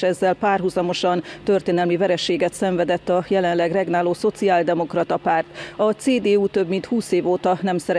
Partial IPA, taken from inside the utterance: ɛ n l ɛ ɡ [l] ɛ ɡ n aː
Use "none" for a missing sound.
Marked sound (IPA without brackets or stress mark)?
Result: r